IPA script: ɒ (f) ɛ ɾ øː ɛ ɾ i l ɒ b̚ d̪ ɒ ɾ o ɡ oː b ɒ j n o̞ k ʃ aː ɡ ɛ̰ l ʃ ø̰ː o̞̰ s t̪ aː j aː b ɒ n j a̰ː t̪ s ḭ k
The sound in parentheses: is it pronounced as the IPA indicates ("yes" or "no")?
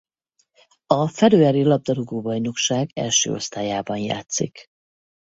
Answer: yes